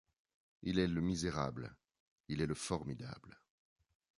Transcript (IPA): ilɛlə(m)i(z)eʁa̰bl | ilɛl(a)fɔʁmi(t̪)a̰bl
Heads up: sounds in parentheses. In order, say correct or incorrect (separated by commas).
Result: correct, correct, incorrect, incorrect